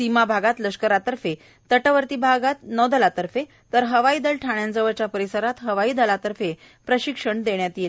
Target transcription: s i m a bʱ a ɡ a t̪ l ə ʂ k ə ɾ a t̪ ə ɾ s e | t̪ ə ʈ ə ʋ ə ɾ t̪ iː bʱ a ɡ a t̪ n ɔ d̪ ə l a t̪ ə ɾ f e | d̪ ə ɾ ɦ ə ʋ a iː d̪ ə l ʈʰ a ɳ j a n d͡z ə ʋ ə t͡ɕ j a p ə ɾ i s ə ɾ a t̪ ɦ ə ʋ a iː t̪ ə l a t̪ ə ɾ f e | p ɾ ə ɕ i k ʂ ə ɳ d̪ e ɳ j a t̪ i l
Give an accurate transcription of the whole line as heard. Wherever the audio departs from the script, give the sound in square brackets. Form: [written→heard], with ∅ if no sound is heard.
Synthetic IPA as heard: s i m a bʱ a ɡ a t̪ l ə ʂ k ə ɾ a t̪ ə ɾ [s→f] e | t̪ ə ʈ ə ʋ ə ɾ t̪ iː bʱ a ɡ a t̪ n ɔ d̪ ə l a t̪ ə ɾ f e | [d̪→t̪] ə ɾ ɦ ə ʋ a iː d̪ ə l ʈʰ a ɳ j a n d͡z ə ʋ ə t͡ɕ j a p ə ɾ i s ə ɾ a t̪ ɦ ə ʋ a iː [t̪→d̪] ə l a t̪ ə ɾ f e | p ɾ ə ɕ i k ʂ ə ɳ d̪ e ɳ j a t̪ i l